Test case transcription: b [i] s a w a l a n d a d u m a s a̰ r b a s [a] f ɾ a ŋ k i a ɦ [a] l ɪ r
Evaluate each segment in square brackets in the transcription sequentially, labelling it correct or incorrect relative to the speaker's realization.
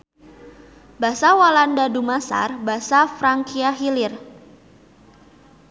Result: incorrect, correct, incorrect

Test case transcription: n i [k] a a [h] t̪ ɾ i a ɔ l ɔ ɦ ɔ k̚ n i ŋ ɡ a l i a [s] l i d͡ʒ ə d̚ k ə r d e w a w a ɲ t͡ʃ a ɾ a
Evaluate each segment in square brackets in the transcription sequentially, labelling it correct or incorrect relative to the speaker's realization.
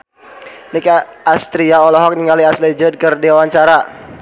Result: correct, incorrect, correct

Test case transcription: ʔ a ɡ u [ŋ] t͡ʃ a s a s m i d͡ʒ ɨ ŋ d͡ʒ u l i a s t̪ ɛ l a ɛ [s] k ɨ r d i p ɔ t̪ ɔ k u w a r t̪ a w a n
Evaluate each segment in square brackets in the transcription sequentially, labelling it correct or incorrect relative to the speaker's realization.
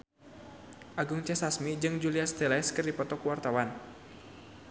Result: correct, correct

